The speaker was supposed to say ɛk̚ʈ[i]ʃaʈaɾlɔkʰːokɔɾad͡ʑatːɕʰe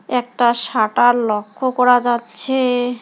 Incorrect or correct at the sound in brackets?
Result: incorrect: a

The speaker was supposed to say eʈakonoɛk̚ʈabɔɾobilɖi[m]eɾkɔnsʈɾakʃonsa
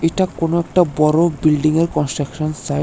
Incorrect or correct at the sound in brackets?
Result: incorrect: ŋ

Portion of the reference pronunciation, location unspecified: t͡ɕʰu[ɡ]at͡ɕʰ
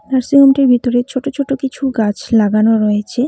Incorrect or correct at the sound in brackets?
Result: correct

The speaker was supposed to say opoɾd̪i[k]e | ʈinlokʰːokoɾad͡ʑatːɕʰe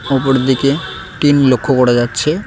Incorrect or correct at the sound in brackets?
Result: correct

